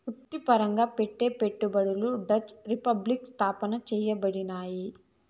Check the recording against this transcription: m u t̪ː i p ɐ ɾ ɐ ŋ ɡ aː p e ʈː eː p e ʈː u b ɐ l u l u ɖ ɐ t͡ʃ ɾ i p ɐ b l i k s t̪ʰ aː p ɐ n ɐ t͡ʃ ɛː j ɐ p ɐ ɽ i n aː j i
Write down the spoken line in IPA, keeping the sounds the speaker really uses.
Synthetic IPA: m u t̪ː i p ɐ ɾ ɐ ŋ ɡ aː p e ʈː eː p e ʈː u b ɐ ɽ u l u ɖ ɐ t͡ʃ ɾ i p ɐ b l i k s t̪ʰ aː p ɐ n ɐ t͡ʃ ɛː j ɐ b ɐ ɽ i n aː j i

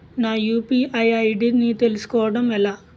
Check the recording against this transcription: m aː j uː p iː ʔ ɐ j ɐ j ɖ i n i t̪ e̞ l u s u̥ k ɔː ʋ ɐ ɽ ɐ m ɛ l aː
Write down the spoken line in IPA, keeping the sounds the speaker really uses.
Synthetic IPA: n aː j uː p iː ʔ ɐ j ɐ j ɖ i n i t̪ e̞ l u s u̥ k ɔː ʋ ɐ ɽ ɐ m ɛ l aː

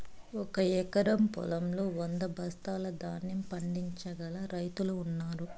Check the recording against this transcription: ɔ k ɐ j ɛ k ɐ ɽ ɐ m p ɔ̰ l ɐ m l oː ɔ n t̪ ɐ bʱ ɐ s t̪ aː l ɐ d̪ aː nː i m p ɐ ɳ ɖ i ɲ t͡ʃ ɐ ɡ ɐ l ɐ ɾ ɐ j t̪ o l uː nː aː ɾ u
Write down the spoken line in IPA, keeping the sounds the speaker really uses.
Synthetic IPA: ɔ k ɐ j ɛ k ɐ ɾ ɐ m p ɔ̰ l ɐ m l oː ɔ n d̪ ɐ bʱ ɐ s t̪ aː l ɐ d̪ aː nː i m p ɐ ɳ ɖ i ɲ t͡ʃ ɐ ɡ ɐ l ɐ ɾ ɐ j t̪ u l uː nː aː ɾ u

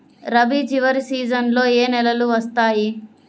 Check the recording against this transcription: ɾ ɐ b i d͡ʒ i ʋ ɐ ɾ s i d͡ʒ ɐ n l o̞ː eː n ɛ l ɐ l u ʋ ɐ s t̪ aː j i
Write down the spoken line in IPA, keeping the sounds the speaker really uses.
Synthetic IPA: ɾ ɐ b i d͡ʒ i ʋ ɐ ɾ s iː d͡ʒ ɐ n l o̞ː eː n ɛ l ɐ l u ʋ ɐ s t̪ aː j i

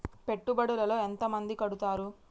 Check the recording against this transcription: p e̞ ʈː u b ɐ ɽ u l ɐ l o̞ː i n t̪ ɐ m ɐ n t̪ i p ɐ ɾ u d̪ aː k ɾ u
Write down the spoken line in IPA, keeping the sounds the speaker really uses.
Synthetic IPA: p e̞ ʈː u b ɐ ɽ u l ɐ l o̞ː e n t̪ ɐ m ɐ n d̪ i k ɐ ɽ u t̪ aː ɾ u

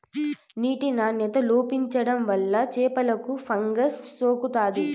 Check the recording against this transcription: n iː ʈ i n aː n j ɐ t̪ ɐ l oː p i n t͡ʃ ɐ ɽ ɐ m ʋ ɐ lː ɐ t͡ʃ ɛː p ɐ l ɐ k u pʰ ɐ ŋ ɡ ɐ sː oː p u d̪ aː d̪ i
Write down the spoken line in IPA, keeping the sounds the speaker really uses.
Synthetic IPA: n iː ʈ i n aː n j ɐ t̪ ɐ l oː p i ɲ t͡ʃ ɐ ɽ ɐ m ʋ ɐ lː ɐ t͡ʃ ɛː p ɐ l ɐ k u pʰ ɐ ŋ ɡ ɐ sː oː k u t̪ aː d̪ i

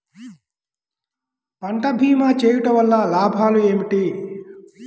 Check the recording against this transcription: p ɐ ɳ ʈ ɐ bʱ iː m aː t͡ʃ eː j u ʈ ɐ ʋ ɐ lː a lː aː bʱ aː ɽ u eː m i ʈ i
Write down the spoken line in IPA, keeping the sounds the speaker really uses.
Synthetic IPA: p ɐ ɳ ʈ ɐ bʱ iː m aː t͡ʃ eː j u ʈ ɐ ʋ ɐ lː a l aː bʱ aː l u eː m i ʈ i

